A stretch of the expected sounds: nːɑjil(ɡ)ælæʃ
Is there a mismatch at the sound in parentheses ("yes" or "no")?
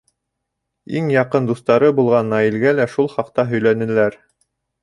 no